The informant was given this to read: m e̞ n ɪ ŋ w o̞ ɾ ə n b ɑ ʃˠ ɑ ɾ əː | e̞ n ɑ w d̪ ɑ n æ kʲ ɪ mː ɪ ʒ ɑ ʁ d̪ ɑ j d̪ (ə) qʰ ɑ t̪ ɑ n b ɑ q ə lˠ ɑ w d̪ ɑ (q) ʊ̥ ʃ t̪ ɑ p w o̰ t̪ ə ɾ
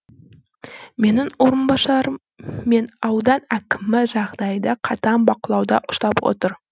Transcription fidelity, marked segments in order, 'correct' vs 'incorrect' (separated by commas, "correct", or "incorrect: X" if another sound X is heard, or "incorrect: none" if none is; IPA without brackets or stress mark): incorrect: ɑ, incorrect: ʔ